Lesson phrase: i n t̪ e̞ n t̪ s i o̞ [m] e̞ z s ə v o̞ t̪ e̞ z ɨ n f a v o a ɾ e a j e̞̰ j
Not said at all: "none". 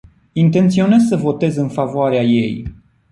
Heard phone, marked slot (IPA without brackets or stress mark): n